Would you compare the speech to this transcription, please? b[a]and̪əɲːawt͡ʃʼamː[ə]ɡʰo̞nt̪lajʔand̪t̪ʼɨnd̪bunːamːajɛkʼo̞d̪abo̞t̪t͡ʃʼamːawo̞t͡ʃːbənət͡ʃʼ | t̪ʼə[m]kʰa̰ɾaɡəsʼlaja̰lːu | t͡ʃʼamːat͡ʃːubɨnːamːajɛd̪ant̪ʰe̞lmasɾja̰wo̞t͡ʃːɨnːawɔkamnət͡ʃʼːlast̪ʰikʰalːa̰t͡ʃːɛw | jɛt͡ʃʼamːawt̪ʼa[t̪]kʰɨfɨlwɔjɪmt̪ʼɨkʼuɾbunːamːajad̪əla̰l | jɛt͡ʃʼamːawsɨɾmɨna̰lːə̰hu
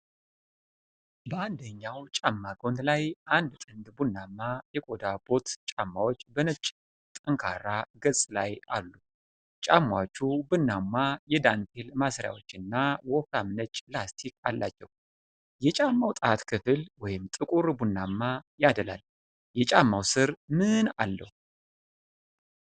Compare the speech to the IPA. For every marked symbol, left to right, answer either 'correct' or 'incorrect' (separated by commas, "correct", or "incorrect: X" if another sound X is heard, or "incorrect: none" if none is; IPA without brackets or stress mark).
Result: incorrect: ə, incorrect: a, incorrect: ŋ, correct